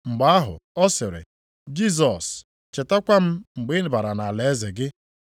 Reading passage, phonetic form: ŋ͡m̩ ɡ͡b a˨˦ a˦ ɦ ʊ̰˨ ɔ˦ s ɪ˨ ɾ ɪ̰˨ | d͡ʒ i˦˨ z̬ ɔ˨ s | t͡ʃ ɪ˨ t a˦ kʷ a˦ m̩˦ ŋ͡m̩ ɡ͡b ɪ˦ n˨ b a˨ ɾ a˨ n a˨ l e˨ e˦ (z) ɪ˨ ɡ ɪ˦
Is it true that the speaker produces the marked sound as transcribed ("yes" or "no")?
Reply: yes